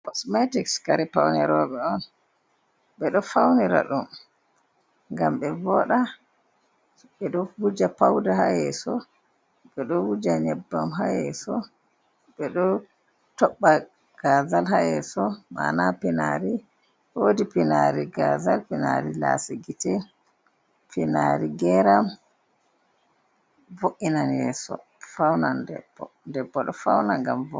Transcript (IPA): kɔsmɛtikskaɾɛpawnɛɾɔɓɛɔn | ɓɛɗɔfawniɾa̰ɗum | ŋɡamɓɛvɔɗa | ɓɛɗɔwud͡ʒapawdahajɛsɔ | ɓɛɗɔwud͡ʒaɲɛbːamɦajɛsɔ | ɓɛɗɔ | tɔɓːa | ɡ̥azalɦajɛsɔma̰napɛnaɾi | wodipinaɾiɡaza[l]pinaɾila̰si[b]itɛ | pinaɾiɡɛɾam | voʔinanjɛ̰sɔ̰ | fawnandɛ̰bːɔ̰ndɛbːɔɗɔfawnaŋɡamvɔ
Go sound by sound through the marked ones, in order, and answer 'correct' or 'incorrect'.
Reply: correct, incorrect

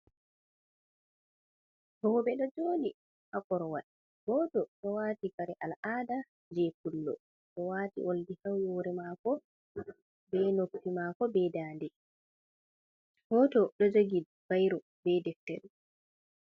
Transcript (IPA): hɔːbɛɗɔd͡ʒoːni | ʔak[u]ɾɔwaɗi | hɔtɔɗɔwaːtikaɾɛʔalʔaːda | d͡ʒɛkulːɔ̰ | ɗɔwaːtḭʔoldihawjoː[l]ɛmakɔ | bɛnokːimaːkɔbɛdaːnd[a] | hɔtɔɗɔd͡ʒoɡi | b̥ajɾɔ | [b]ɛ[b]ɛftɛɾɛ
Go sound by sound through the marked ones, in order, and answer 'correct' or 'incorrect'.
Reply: incorrect, incorrect, incorrect, correct, incorrect

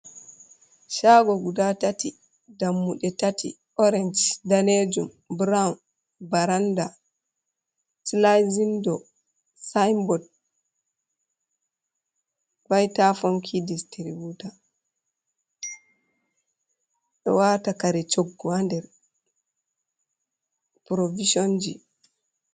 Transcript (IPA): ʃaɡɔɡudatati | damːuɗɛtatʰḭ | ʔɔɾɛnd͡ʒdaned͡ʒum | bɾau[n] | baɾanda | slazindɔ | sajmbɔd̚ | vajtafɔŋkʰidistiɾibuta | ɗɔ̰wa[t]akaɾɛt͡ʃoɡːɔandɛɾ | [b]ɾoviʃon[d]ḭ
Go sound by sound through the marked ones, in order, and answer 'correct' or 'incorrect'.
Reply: correct, correct, incorrect, incorrect

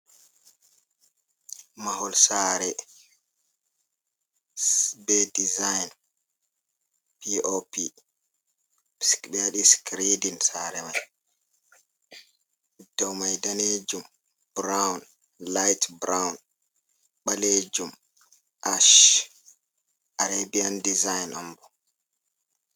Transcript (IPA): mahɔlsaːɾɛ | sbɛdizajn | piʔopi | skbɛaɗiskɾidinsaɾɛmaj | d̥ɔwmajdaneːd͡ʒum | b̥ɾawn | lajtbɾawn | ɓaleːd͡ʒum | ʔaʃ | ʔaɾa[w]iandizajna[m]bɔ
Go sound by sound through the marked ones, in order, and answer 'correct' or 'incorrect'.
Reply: incorrect, correct

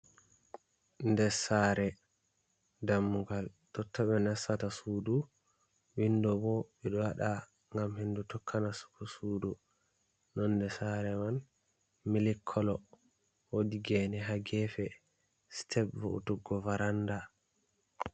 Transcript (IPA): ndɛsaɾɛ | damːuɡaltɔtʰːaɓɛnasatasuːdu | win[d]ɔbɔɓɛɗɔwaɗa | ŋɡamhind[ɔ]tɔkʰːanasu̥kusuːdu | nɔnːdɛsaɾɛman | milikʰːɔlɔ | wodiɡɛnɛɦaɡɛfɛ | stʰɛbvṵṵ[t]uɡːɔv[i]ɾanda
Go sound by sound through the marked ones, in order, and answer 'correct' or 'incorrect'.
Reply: correct, incorrect, correct, incorrect

